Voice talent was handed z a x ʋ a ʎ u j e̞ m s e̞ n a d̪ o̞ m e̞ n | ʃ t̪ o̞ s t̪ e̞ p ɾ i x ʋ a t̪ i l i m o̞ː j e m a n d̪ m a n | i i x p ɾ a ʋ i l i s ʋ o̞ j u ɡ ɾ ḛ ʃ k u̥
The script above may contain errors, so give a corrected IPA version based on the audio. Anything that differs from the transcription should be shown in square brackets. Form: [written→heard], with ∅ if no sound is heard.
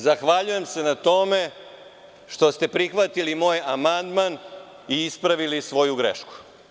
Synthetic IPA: z a x ʋ a ʎ u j e̞ m s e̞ n a [d̪→t̪] o̞ m e̞ [n→∅] | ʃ t̪ o̞ s t̪ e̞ p ɾ i x ʋ a t̪ i l i m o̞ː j [e→a] m a n d̪ m a n | i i [x→s] p ɾ a ʋ i l i s ʋ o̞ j u ɡ ɾ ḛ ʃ k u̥